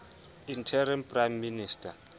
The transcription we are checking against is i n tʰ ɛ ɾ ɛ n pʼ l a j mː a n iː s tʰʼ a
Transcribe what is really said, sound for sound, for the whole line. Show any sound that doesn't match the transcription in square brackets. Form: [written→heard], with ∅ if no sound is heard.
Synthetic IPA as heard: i n tʰ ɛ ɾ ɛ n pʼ [l→r] a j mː [a→i] n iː s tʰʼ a